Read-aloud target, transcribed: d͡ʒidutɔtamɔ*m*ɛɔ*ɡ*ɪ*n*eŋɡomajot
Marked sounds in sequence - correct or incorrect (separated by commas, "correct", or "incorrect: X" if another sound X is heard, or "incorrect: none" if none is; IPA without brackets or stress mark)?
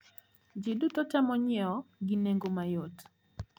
incorrect: ɲ, correct, correct